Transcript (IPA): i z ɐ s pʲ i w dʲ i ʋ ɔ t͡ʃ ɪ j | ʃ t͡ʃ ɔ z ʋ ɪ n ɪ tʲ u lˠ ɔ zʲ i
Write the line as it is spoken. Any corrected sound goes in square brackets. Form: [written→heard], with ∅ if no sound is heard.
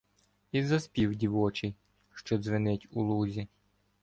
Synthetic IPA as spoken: i z ɐ s pʲ i w dʲ i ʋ ɔ t͡ʃ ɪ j | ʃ t͡ʃ ɔ z ʋ ɪ n ɪ tʲ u lˠ [ɔ→u] zʲ i